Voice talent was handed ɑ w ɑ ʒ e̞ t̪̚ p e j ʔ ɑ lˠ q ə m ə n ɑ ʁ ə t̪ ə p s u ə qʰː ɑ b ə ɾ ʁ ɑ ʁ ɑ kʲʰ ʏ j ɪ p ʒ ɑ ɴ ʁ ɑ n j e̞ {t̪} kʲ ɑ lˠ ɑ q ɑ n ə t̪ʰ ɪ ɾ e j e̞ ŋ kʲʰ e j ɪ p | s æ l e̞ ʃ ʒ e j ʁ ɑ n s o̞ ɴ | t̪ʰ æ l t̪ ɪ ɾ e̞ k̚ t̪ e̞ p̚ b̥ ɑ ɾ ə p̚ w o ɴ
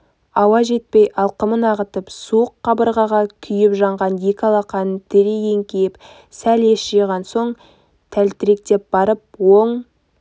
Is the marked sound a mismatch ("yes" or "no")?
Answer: yes